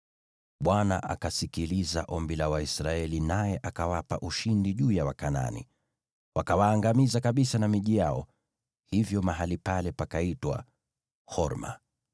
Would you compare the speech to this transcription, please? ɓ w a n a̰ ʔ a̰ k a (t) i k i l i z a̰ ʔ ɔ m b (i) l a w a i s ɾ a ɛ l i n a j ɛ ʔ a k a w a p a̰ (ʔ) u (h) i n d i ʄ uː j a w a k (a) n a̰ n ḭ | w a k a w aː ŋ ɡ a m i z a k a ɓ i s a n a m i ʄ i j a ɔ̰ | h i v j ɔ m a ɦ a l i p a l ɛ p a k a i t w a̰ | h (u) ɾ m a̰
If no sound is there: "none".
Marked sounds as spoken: s, i, ʔ, ʃ, a, ɔ

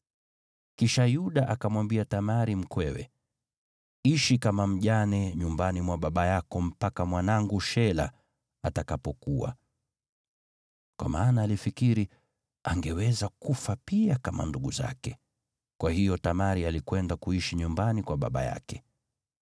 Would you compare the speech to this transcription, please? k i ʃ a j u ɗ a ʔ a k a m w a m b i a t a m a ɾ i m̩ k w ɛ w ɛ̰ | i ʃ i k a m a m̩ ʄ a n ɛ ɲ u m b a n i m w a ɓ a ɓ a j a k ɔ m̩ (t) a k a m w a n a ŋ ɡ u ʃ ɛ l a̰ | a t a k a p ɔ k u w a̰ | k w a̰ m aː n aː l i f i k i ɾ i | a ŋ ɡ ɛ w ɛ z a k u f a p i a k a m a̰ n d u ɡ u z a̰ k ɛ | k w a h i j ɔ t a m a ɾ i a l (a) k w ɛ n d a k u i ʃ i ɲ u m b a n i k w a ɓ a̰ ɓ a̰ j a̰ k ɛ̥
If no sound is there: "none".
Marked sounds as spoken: p, i

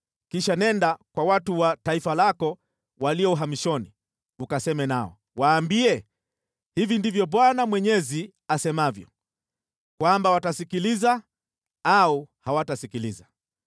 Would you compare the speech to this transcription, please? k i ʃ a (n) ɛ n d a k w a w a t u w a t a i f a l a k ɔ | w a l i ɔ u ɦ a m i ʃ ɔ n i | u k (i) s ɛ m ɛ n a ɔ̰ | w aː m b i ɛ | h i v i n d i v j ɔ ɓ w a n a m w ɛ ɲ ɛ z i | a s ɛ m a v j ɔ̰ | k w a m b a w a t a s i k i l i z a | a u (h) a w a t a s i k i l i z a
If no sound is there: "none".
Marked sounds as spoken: n, a, h

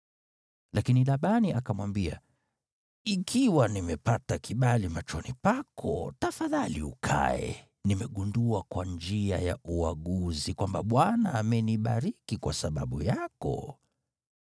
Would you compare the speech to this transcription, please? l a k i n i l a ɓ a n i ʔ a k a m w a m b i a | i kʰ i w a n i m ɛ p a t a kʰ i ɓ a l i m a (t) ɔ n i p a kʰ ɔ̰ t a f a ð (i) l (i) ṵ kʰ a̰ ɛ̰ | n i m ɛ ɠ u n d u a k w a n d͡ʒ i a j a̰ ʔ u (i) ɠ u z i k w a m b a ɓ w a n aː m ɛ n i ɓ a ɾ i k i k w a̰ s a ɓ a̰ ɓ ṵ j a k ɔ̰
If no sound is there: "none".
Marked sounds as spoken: t͡ʃ, a, i, a

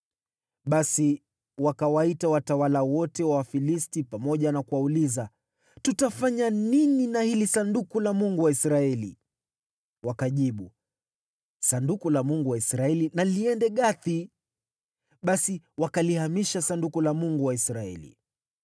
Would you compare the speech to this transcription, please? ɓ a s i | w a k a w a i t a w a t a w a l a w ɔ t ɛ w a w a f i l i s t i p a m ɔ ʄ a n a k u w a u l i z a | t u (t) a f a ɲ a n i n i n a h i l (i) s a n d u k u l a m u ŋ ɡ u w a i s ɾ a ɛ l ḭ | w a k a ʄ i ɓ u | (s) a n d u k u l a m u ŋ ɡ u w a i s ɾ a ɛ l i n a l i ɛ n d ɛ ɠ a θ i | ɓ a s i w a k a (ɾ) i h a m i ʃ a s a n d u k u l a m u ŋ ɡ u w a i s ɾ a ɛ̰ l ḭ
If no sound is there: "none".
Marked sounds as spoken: t, i, s, l

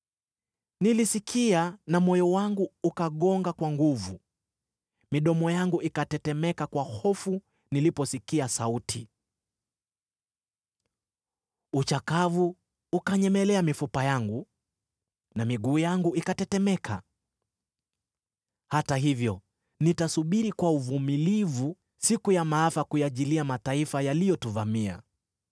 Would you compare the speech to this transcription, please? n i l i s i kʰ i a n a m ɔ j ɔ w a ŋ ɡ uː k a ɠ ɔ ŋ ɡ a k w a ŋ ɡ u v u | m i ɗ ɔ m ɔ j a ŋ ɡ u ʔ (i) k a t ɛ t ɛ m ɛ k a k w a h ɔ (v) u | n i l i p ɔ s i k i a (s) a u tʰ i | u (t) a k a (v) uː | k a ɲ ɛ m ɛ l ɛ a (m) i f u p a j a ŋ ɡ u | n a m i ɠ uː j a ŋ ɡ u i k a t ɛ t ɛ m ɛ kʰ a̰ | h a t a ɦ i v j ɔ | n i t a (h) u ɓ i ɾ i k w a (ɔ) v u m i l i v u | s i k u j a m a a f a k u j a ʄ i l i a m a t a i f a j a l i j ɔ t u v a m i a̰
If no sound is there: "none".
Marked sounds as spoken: i, f, s, t͡ʃ, v, m, s, u

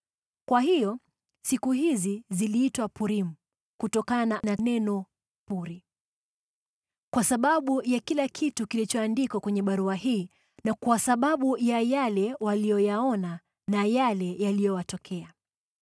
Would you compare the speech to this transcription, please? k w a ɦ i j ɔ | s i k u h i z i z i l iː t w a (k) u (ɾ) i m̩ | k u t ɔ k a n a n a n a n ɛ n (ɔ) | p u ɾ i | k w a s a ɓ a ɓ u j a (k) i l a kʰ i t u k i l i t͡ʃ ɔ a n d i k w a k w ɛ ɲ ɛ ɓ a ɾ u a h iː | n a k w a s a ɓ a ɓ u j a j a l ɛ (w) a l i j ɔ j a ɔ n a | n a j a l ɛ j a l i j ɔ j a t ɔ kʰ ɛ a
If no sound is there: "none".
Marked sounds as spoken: p, ɾ, ɔ, k, w

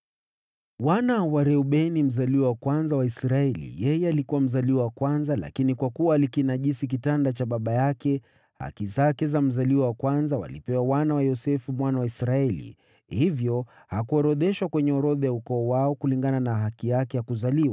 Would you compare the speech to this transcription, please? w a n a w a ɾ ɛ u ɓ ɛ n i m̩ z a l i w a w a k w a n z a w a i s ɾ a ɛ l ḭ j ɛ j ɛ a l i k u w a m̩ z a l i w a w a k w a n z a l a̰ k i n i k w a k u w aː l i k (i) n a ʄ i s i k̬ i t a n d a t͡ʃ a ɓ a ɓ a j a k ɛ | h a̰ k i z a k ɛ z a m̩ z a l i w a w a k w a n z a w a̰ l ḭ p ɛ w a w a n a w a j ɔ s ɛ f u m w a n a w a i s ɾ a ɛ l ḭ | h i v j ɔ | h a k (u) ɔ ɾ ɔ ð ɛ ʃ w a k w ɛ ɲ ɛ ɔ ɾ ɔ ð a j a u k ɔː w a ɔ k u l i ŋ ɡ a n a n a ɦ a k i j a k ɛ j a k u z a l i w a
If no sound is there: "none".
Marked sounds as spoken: i, u

